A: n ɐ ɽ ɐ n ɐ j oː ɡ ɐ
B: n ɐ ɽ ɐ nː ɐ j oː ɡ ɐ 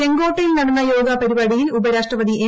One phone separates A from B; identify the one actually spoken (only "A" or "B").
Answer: B